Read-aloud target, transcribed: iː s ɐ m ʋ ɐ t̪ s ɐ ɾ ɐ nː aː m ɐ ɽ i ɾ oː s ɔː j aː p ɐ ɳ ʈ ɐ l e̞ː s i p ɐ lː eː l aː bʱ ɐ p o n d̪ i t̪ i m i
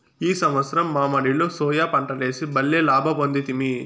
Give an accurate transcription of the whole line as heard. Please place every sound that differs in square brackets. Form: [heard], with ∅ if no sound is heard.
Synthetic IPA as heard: iː s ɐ m ʋ ɐ t̪ s ɐ ɾ ɐ [mː] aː m ɐ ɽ i [l] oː s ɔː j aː p ɐ ɳ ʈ ɐ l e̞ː s i [b] ɐ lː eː l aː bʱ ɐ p o n d̪ i t̪ i m i

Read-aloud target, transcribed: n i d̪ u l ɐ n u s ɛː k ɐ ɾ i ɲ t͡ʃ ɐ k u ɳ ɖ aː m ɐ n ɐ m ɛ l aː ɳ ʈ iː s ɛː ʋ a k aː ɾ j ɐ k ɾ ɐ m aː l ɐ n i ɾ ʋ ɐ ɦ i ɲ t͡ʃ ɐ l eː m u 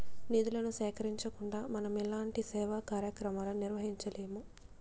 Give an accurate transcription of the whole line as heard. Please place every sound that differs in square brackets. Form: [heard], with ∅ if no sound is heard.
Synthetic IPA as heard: n i d̪ u l ɐ n u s ɛː k ɐ ɾ i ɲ t͡ʃ ɐ k u ɳ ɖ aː m ɐ n ɐ m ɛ l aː ɳ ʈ [i] s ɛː ʋ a k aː ɾ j ɐ k ɾ ɐ m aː l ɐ n i ɾ ʋ ɐ ɦ i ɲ t͡ʃ ɐ l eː m u

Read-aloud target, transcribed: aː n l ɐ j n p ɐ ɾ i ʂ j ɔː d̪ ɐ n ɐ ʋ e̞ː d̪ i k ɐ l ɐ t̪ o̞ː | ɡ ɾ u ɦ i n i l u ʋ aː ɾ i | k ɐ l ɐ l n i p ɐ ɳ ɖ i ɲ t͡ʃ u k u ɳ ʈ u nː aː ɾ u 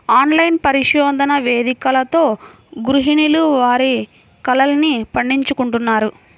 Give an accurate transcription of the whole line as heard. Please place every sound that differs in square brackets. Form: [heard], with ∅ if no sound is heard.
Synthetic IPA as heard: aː n l ɐ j n p ɐ ɾ i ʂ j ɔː d̪ ɐ n ɐ ʋ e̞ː d̪ i k ɐ l ɐ t̪ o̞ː | ɡ ɾ u ɦ i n i l u ʋ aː ɾ i | k ɐ l ɐ l n i p ɐ ɳ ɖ i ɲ t͡ʃ u k u ɳ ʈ u nː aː ɾ u

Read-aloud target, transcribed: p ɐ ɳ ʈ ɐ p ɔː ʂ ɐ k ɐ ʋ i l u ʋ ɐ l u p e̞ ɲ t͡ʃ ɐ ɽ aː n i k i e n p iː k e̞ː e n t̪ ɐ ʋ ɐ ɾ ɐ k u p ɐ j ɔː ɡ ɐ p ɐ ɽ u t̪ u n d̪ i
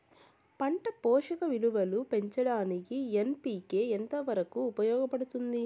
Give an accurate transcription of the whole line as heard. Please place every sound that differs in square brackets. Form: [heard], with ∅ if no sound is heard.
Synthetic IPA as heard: p ɐ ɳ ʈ ɐ p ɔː ʂ ɐ k ɐ ʋ i l u ʋ ɐ l u p e̞ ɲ t͡ʃ ɐ ɽ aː n i k i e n p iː k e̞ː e n t̪ ɐ ʋ ɐ ɾ ɐ k [uː] p ɐ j ɔː ɡ ɐ p ɐ ɽ u t̪ u n d̪ i

